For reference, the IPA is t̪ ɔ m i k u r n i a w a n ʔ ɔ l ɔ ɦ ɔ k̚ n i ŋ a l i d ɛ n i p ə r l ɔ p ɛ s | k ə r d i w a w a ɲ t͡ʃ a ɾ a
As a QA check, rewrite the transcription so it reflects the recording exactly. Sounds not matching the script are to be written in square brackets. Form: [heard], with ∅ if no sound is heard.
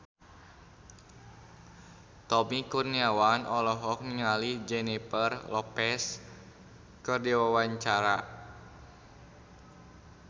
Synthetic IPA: t̪ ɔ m i k u r n i a w a n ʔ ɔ l ɔ ɦ ɔ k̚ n i ŋ a l i [d͡ʒ] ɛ n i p ə r l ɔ p ɛ s | k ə r d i w a w a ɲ t͡ʃ a ɾ a